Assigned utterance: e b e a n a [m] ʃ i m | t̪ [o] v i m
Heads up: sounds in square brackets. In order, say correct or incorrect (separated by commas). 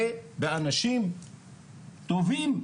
incorrect, correct